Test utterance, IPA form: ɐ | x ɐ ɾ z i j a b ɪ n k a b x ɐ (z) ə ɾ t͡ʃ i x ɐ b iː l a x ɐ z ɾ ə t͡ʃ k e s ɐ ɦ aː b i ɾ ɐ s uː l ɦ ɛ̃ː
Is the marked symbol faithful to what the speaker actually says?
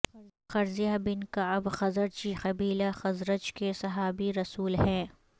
yes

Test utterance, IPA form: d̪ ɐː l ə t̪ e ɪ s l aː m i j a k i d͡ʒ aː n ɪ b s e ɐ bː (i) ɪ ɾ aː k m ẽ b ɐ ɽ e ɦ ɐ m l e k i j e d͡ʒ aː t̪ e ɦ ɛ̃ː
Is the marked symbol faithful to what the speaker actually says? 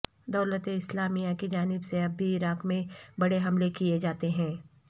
yes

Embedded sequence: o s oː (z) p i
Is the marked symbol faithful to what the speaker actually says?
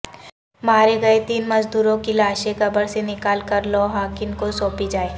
no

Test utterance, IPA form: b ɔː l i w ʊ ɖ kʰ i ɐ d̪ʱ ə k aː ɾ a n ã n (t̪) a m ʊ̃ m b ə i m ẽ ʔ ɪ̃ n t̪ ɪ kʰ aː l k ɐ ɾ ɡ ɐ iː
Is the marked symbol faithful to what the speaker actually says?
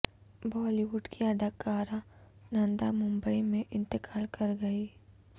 no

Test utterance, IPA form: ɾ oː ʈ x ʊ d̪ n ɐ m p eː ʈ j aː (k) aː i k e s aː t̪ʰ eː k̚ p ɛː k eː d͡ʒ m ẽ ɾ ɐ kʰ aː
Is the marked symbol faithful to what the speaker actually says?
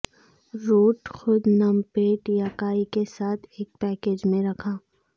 yes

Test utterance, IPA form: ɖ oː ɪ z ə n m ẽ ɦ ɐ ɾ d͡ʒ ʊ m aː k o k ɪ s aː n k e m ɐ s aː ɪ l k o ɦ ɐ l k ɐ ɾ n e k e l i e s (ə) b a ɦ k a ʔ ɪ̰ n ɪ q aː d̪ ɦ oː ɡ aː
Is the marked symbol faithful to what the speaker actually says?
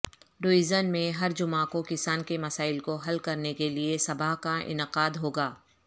no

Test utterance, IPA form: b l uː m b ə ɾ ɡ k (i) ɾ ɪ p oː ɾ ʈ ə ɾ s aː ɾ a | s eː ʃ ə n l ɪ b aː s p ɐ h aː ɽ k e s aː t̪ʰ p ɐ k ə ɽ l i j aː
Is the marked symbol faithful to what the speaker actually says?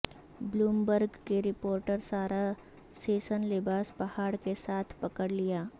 no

